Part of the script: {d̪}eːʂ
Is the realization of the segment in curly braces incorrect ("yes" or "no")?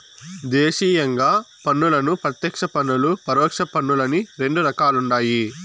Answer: no